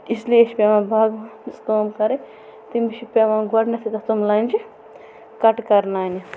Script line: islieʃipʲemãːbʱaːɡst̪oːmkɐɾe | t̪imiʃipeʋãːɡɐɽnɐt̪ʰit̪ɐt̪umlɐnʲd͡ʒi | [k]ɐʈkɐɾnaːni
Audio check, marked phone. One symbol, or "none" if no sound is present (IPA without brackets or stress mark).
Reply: k